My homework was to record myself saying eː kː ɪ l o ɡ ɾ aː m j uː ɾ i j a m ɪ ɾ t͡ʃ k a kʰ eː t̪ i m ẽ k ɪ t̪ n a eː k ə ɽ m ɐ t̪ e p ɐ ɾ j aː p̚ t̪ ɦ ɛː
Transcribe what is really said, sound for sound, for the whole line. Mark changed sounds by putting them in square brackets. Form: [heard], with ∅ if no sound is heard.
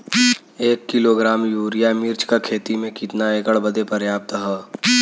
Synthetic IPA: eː kː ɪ l o ɡ ɾ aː m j uː ɾ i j a m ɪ ɾ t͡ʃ k a kʰ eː t̪ i m ẽ k ɪ t̪ n a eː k ə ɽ [b] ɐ [d̪] e p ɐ ɾ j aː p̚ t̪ ɦ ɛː